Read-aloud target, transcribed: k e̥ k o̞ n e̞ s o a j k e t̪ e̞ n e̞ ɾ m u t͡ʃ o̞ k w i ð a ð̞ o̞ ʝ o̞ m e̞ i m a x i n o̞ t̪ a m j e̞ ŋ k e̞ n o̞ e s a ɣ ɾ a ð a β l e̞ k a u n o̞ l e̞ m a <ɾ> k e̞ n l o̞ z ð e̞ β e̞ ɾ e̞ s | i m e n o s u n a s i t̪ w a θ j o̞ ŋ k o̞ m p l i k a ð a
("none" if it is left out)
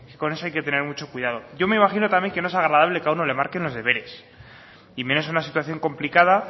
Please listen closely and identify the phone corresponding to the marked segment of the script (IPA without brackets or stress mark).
ɾ